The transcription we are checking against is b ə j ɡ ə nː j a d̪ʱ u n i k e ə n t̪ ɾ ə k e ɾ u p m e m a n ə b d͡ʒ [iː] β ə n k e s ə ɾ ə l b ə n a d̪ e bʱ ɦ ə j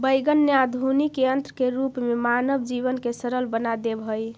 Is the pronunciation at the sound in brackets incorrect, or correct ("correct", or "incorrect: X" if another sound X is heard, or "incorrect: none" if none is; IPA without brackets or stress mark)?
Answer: incorrect: i